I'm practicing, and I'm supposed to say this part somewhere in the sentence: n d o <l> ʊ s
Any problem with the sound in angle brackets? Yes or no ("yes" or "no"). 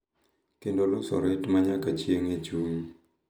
no